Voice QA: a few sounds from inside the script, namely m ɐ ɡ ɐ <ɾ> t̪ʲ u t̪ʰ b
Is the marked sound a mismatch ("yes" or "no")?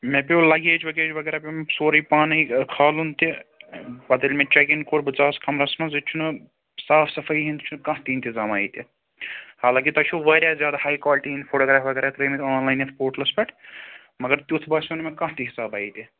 no